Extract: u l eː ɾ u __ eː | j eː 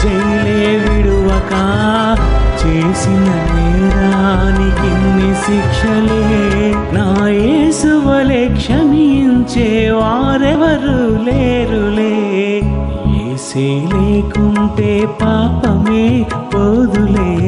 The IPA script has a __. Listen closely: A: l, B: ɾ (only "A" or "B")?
A